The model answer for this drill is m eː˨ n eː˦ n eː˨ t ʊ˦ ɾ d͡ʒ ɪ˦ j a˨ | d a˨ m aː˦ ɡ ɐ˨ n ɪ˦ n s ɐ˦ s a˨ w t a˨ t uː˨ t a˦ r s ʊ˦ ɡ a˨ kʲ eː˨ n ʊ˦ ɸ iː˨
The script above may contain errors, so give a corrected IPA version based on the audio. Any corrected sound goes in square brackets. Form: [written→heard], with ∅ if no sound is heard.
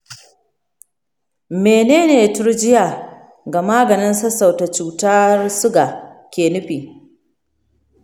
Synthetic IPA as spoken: m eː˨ n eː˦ n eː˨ t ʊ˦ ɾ d͡ʒ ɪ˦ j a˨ | [d→ɡ] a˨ m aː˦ ɡ ɐ˨ n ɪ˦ n s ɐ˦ s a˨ w t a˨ [t→t͡ʃ] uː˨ t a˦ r s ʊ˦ ɡ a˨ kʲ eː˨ n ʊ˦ ɸ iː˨